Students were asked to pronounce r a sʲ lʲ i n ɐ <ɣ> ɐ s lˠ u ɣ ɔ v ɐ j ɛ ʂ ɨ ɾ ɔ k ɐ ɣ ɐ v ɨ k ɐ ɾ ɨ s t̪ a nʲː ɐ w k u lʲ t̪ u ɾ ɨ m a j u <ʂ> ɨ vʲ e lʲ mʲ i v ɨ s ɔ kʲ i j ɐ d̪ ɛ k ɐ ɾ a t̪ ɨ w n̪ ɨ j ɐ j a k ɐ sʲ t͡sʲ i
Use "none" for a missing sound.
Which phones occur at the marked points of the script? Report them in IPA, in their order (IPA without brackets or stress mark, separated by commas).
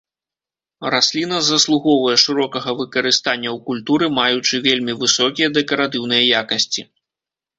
z, t͡ʂ